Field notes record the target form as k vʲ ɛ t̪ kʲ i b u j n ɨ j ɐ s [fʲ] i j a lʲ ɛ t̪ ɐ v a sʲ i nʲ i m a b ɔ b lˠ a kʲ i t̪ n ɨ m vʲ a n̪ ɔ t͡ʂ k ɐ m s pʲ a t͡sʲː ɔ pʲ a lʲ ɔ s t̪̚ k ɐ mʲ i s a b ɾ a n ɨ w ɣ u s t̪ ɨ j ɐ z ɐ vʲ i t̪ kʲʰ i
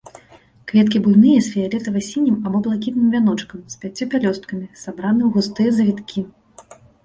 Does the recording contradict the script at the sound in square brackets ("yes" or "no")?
no